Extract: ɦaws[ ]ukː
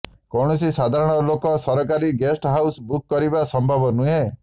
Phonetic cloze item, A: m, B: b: B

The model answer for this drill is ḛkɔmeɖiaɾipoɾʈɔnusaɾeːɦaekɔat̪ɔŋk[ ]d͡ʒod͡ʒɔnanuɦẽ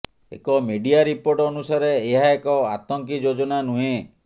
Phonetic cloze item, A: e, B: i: B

